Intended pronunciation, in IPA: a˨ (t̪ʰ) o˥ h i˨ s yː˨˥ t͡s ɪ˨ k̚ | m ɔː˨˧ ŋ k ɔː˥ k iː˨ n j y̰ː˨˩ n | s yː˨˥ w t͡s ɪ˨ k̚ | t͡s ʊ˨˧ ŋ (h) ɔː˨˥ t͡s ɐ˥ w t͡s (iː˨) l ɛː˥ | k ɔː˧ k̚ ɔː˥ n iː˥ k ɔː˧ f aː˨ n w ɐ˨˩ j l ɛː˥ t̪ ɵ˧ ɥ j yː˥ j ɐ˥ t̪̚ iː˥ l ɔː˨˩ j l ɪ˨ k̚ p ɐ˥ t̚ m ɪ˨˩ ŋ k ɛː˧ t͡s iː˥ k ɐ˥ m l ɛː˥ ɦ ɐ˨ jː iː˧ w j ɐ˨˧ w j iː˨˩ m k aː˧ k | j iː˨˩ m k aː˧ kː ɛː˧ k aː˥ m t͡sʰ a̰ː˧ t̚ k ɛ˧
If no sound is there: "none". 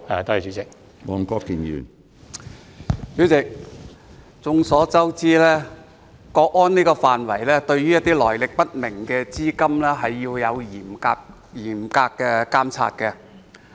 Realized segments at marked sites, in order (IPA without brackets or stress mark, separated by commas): t̪, s, iː˥